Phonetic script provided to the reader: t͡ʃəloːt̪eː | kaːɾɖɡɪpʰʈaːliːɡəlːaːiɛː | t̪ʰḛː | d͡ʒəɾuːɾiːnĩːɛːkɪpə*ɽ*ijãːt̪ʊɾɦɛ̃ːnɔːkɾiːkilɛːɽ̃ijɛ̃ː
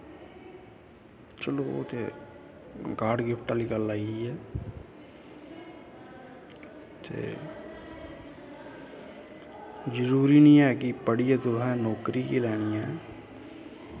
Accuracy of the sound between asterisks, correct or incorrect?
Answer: correct